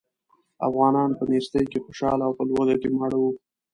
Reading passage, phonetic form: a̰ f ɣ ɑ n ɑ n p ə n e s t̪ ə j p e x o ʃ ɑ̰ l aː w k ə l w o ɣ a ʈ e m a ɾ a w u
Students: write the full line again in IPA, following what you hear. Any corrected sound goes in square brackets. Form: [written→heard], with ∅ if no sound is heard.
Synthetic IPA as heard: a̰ f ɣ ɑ n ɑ n p ə n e s t̪ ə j [p→k] e x o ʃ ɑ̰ l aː w [k→p] ə l w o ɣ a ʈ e m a [ɾ→ɽ] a w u